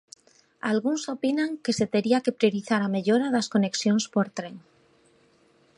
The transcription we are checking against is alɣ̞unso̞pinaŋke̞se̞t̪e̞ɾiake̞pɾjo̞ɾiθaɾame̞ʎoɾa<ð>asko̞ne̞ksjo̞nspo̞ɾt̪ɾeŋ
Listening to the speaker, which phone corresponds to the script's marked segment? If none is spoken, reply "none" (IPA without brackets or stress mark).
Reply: ð